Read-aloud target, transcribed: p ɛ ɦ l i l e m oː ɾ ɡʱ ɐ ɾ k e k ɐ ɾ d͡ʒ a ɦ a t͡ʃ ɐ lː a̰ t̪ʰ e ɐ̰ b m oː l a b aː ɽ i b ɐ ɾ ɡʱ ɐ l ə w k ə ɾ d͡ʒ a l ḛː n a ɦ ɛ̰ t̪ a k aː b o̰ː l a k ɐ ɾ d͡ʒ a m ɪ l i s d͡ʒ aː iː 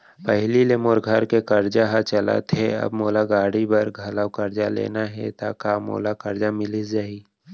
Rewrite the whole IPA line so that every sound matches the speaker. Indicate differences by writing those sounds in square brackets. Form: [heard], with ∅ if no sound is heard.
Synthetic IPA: p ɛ ɦ l i l e m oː ɾ ɡʱ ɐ ɾ k e k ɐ ɾ d͡ʒ a ɦ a t͡ʃ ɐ [l] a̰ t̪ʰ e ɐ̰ b m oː l a [ɡ] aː ɽ i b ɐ ɾ ɡʱ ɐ l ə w k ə ɾ d͡ʒ a l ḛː n a ɦ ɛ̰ t̪ a k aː [m] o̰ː l a k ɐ ɾ d͡ʒ a m ɪ l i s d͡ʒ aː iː